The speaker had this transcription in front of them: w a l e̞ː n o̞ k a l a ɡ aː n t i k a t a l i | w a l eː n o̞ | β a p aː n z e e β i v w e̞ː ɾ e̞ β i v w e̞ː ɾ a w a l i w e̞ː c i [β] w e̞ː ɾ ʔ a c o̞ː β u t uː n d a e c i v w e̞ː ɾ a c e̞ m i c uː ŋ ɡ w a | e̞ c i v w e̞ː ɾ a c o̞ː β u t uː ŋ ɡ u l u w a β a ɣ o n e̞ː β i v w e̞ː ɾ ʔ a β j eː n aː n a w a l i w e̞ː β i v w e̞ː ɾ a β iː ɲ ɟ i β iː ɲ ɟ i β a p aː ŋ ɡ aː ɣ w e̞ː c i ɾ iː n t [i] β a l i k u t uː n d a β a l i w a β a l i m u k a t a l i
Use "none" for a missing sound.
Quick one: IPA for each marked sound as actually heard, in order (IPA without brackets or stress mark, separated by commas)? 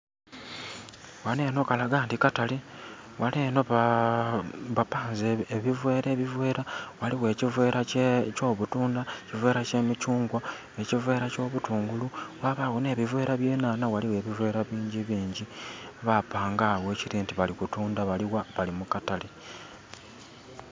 v, i